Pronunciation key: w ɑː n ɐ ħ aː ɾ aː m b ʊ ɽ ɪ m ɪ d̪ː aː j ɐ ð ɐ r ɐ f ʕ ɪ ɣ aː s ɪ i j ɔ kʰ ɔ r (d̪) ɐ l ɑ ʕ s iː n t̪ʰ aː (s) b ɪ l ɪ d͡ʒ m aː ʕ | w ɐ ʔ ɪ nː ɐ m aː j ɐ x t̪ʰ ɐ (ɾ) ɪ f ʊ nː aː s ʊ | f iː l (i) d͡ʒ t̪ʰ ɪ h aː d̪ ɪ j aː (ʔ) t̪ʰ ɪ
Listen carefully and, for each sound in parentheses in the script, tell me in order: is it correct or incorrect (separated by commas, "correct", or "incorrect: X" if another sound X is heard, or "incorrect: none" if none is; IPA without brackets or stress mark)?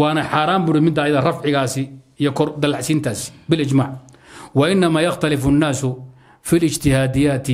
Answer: correct, correct, incorrect: l, incorrect: ɪ, incorrect: none